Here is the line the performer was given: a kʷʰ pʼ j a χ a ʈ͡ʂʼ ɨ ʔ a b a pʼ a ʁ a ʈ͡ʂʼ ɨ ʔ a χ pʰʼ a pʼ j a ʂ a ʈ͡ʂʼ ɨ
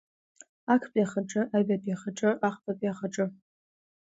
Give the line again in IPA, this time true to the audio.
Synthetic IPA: a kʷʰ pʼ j a χ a ʈ͡ʂʼ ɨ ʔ a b a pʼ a χ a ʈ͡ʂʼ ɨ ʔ a χ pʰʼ a pʼ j a χ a ʈ͡ʂʼ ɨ